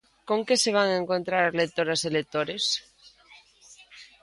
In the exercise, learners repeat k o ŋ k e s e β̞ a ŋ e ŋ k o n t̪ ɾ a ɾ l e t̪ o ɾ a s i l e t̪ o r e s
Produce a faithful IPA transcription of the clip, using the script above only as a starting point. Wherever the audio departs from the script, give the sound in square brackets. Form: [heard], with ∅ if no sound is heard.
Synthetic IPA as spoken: k o ŋ k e s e β̞ a ŋ e ŋ k o n t̪ ɾ a ɾ l e t̪ o ɾ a s [e] l e t̪ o [ɾ] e s